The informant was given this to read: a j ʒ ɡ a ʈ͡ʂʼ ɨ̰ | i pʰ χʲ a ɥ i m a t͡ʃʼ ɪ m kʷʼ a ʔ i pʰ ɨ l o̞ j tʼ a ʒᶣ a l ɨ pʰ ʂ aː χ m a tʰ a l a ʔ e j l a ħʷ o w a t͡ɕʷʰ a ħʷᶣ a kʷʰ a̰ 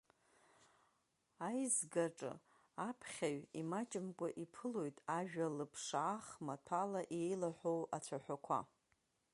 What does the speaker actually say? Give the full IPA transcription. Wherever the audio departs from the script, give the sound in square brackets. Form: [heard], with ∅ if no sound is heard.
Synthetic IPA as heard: a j [z] ɡ a ʈ͡ʂʼ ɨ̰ | [a] pʰ χʲ a ɥ i m a t͡ʃʼ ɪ m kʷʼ a ʔ i pʰ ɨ l o̞ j tʼ a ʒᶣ a l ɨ pʰ ʂ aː χ m a tʰ a l a ʔ e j l a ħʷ o w a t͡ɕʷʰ a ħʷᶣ a kʷʰ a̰